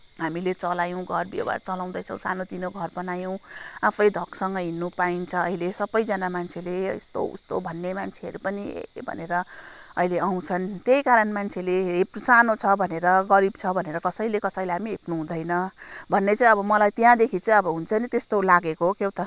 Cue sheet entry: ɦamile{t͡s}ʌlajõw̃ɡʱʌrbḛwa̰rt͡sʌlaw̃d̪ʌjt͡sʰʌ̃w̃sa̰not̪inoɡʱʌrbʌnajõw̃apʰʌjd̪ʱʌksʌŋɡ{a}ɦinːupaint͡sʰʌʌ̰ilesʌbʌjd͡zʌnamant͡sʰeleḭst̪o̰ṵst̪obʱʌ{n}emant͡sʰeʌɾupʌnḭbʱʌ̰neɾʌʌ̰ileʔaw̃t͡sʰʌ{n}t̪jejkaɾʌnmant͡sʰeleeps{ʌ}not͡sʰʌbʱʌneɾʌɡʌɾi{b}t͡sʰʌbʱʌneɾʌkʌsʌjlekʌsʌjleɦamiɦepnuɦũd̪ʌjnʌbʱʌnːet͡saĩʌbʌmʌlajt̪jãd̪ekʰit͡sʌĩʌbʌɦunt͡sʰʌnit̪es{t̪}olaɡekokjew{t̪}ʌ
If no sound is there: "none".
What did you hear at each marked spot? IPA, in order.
t͡s, ʌ, nː, n, a, b, t̪, t̪

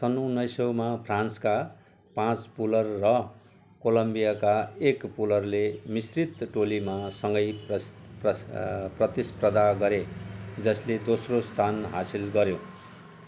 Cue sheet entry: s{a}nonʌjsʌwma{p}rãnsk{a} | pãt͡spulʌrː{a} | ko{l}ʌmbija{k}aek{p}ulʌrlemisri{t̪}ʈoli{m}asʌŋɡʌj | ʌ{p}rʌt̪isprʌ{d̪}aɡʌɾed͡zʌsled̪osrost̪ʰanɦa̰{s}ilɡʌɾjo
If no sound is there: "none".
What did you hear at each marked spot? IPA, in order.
ʌ, pʰ, a, ʌ, l, k, p, t̪, m, p, d̪, s

